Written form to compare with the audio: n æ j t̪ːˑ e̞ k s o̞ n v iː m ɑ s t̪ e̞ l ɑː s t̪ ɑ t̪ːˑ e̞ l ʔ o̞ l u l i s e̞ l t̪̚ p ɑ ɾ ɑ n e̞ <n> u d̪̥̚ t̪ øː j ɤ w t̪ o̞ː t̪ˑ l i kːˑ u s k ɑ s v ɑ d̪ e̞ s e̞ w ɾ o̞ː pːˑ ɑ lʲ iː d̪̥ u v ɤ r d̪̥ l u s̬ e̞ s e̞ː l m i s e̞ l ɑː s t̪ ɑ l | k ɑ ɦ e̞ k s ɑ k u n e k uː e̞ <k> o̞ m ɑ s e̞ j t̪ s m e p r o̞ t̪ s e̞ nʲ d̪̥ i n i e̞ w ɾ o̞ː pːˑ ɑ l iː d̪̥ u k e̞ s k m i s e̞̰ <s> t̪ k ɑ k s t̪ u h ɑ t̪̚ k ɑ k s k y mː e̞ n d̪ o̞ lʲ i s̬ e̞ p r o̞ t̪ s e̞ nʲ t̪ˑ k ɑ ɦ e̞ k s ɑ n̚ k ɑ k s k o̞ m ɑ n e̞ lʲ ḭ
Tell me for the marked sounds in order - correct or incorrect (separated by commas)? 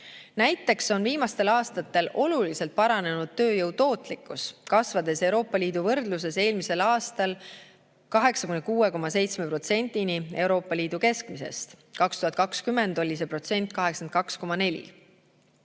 correct, correct, correct